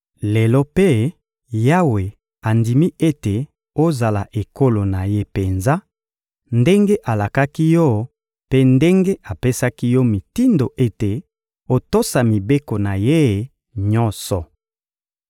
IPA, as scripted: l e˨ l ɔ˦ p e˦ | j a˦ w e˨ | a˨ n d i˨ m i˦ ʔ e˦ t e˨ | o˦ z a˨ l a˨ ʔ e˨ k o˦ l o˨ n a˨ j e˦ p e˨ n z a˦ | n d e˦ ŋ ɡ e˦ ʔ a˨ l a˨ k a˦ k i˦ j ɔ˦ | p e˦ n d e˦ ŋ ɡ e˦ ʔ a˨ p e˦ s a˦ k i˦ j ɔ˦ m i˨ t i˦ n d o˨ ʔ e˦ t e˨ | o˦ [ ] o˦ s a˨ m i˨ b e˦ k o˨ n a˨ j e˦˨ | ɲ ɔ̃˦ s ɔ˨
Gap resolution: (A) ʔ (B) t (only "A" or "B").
B